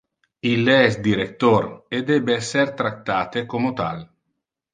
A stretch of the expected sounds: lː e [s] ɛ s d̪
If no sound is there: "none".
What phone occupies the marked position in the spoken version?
none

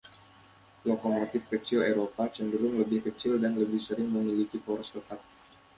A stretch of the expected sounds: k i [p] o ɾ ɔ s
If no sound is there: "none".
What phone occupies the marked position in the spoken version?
p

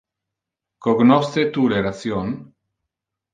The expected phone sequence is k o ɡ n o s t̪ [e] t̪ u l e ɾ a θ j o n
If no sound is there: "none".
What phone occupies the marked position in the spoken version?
e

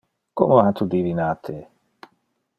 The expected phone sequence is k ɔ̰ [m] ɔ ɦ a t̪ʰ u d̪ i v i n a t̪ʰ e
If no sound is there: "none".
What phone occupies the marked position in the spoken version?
m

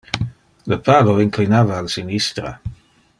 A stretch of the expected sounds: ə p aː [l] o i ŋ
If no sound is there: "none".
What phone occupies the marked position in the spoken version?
l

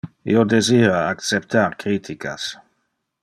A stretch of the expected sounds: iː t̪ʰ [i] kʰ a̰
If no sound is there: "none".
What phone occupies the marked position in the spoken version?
i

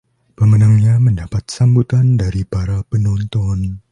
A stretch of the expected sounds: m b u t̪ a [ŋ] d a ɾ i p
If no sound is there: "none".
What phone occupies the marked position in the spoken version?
n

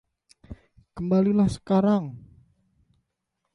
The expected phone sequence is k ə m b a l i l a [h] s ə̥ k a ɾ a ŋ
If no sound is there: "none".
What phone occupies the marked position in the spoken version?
h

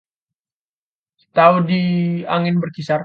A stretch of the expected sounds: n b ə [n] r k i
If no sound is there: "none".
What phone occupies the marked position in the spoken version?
none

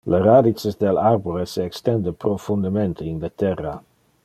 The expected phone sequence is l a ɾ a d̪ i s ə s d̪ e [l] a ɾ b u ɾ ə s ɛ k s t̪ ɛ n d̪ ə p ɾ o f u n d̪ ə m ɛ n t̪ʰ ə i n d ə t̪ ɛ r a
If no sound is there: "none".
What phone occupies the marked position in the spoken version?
l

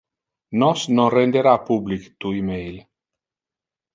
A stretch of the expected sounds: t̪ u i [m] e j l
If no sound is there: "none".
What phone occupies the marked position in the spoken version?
m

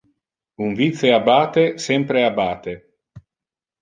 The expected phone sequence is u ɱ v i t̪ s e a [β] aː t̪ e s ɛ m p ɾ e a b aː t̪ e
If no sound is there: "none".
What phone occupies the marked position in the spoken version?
b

